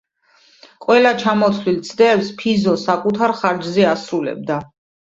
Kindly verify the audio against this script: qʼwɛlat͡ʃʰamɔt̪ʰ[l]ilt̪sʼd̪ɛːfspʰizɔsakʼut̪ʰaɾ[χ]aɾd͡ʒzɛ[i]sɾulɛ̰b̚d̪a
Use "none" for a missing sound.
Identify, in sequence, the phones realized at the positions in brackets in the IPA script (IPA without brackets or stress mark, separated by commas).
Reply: l, χ, a